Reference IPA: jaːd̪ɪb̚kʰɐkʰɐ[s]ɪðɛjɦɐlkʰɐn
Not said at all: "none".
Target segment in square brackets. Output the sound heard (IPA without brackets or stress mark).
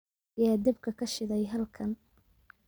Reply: ʃ